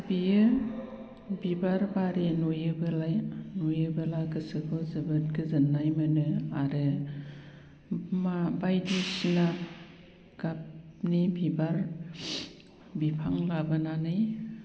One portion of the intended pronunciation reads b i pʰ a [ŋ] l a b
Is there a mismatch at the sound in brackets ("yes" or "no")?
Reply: no